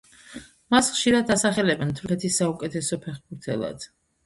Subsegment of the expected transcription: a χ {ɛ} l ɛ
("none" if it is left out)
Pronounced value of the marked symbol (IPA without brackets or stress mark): ɛ